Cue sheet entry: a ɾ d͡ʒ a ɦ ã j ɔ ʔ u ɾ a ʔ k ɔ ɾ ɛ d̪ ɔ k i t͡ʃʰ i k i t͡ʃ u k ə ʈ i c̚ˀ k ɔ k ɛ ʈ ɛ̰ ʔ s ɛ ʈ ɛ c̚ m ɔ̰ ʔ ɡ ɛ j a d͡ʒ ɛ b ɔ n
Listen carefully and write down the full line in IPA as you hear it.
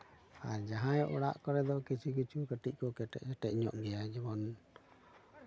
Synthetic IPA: a ɾ d͡ʒ a ɦ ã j ɔ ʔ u ɽ a ʔ k ɔ ɾ ɛ d̪ ɔ k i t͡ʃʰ i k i t͡ʃ u k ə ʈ i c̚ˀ k ɔ k ɛ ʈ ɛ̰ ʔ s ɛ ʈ ɛ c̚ ɲ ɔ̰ ʔ ɡ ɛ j a d͡ʒ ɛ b ɔ n